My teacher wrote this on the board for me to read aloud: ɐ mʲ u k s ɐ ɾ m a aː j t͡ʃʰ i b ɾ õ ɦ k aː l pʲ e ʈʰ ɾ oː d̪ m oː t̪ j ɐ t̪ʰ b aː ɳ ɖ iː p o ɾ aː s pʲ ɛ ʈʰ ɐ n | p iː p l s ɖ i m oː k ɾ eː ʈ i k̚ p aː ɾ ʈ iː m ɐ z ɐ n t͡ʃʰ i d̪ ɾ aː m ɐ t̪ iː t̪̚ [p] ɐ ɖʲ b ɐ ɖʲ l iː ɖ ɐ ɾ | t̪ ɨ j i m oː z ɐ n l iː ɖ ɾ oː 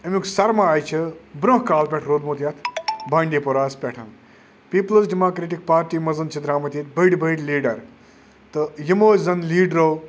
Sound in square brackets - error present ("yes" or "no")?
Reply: yes